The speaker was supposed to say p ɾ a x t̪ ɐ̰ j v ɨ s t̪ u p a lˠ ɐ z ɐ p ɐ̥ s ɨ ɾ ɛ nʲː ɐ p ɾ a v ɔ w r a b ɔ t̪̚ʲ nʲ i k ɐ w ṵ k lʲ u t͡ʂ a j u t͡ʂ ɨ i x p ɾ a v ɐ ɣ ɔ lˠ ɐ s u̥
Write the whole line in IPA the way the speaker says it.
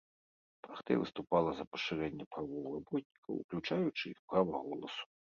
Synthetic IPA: p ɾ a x t̪ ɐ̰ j v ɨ s t̪ u p a lˠ ɐ z ɐ p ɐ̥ ʂ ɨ ɾ ɛ nʲː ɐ p ɾ a v ɔ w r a b ɔ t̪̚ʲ nʲ i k ɐ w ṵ k lʲ u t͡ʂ a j u t͡ʂ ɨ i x p ɾ a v ɐ ɣ ɔ lˠ ɐ s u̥